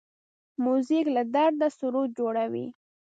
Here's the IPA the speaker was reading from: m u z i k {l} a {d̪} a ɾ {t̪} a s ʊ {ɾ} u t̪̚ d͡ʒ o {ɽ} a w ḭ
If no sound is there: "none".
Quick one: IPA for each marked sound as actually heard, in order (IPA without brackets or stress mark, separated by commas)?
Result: l, d̪, d̪, ɾ, ɽ